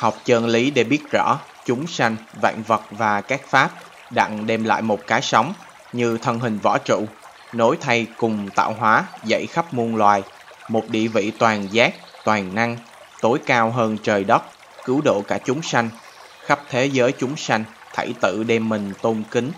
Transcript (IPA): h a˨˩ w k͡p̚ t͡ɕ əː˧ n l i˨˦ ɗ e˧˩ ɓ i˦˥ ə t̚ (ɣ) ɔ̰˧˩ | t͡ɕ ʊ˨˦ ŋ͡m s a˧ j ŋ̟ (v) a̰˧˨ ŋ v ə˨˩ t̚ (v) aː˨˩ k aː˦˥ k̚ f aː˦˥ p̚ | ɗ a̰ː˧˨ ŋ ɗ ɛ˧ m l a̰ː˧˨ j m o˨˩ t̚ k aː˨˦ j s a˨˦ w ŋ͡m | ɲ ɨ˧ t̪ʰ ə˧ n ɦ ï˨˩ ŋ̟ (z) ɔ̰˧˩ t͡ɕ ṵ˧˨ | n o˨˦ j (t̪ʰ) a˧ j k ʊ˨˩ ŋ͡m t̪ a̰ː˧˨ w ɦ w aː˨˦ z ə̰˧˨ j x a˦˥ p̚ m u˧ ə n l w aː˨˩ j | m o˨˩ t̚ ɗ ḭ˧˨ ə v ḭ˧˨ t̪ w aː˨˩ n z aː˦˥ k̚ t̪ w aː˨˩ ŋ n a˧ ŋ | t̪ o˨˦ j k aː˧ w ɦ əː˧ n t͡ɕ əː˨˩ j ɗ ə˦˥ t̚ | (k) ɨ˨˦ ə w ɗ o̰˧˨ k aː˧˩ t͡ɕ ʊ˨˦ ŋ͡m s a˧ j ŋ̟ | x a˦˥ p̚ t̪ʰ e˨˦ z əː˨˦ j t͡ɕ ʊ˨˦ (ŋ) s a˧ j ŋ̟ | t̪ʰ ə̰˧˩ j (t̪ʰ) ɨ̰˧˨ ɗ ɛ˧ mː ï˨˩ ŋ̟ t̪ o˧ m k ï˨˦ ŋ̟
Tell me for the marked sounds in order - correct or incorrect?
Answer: incorrect, correct, correct, incorrect, correct, correct, incorrect, incorrect

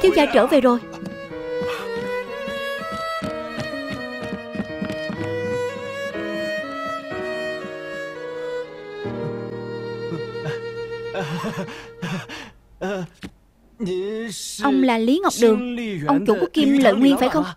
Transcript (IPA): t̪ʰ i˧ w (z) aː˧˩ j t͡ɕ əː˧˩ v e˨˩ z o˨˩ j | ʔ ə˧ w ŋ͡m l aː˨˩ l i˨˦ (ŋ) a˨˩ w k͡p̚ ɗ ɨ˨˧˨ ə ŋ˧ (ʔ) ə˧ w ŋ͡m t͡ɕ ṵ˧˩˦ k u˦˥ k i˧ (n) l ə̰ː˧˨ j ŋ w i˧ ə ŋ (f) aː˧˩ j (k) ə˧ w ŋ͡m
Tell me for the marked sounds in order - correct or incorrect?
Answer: correct, correct, correct, incorrect, correct, incorrect

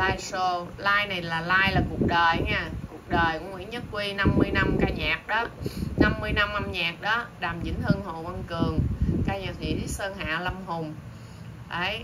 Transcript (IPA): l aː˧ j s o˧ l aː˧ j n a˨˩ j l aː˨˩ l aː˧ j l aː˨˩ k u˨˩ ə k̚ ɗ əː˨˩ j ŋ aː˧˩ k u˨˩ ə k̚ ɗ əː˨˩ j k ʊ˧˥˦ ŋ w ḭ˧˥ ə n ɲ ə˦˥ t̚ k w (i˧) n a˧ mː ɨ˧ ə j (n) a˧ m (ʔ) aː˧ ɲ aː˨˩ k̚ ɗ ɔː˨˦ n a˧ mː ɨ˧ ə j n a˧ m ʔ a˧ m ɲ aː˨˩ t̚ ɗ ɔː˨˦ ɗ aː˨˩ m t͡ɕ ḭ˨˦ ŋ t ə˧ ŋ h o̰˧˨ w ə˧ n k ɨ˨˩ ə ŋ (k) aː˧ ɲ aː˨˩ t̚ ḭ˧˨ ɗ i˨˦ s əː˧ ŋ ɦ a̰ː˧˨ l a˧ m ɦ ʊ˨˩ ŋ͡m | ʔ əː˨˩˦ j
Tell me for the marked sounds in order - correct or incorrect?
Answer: correct, correct, incorrect, correct

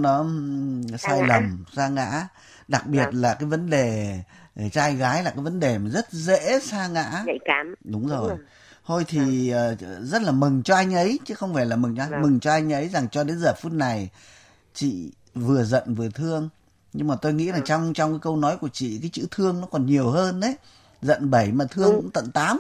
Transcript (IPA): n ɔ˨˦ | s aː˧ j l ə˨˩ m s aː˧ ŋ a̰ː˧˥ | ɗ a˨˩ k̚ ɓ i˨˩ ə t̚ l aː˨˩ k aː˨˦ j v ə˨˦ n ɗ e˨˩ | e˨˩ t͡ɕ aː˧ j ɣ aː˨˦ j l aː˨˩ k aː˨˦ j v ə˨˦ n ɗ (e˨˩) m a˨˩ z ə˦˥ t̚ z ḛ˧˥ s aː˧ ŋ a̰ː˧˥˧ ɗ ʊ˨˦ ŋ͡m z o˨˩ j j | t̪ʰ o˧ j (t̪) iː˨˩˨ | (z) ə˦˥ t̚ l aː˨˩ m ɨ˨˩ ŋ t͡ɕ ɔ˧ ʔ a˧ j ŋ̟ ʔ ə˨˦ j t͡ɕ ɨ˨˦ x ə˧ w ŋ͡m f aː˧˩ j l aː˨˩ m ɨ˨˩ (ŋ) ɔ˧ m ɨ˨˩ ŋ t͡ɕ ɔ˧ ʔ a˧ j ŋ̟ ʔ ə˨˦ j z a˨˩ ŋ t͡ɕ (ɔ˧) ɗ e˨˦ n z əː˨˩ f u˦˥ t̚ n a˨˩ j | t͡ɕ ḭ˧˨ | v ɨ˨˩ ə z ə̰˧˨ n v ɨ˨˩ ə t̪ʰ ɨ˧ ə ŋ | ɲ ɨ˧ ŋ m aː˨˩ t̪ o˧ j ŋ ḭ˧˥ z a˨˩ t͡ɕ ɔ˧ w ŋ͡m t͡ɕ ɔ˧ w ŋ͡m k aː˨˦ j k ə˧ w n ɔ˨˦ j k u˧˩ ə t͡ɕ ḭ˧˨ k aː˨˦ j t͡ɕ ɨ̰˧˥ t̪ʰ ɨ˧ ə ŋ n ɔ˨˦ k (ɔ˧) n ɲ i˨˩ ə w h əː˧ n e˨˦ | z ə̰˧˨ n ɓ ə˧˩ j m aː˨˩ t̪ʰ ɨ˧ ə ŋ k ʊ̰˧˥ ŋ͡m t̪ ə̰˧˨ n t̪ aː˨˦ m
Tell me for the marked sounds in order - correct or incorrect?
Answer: correct, incorrect, correct, correct, correct, incorrect

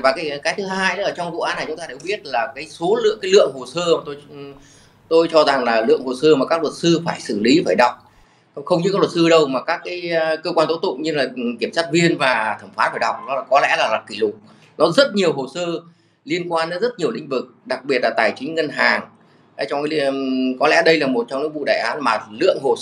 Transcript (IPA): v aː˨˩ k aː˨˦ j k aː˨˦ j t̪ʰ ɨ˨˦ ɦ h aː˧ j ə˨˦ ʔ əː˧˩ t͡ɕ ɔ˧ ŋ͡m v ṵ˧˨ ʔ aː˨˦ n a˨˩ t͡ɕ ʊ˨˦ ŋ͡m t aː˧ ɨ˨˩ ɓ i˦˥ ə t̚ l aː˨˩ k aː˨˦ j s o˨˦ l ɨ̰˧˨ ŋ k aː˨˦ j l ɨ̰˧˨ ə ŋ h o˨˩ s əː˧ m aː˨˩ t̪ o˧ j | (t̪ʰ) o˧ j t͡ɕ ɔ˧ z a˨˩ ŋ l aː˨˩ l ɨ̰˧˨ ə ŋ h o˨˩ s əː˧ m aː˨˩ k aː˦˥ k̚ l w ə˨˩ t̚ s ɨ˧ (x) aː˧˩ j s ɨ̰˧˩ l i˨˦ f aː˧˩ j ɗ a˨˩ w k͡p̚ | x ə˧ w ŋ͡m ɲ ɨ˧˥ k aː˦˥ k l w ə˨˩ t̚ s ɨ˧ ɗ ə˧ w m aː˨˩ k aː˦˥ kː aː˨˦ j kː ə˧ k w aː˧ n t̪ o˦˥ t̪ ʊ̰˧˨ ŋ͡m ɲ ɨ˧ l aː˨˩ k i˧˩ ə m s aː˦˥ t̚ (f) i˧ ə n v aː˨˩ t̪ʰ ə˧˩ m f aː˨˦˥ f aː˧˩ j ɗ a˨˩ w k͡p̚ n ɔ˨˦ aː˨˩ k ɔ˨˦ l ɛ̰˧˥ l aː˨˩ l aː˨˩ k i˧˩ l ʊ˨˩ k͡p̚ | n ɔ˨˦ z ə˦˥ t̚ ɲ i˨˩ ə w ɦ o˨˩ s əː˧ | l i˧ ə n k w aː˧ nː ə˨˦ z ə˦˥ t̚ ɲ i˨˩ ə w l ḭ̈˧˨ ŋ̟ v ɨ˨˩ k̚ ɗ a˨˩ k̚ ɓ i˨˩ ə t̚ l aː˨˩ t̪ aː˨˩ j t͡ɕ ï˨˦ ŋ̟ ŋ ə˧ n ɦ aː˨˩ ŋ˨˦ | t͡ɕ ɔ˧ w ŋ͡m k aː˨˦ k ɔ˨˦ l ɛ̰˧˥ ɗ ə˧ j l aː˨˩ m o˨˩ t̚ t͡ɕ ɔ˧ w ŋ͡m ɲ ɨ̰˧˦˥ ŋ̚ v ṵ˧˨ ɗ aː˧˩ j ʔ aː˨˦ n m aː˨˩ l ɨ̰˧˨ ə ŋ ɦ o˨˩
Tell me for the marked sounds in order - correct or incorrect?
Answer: incorrect, incorrect, incorrect

